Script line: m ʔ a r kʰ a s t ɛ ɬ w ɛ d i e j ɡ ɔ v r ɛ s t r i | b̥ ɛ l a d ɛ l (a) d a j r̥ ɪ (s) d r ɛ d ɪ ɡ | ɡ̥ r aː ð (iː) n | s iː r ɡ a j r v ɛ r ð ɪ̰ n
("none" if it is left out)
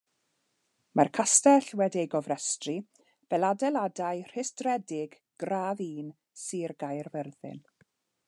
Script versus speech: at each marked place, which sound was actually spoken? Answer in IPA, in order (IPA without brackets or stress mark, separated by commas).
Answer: a, s, iː